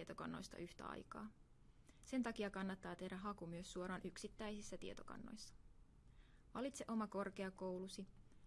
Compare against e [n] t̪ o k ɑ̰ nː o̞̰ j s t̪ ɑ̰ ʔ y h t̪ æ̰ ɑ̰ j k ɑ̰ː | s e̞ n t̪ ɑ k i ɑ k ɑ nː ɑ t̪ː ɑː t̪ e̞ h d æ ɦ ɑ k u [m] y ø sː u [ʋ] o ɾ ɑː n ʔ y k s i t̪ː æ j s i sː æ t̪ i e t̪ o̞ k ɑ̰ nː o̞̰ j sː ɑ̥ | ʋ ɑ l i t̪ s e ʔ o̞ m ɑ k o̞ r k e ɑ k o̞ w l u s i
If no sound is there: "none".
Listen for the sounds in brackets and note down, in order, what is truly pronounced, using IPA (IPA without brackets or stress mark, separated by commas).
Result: none, m, none